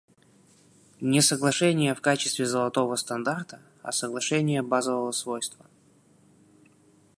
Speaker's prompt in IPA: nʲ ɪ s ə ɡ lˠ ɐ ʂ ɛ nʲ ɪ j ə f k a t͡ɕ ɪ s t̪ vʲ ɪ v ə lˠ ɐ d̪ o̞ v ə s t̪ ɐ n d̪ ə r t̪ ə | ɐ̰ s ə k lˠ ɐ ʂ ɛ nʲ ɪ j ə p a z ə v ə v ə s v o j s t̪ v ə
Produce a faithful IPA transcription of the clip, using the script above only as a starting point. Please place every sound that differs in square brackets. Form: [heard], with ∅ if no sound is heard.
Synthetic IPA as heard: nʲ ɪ s ə ɡ lˠ ɐ ʂ ɛ nʲ ɪ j ə f k a t͡ɕ ɪ s t̪ vʲ ɪ [z] ə lˠ ɐ [t̪] o̞ v ə s t̪ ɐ n d̪ [a] r t̪ ə | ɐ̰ s ə [ɡ] lˠ ɐ ʂ ɛ nʲ ɪ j ə [b] a z ə v ə v ə s v o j s t̪ v ə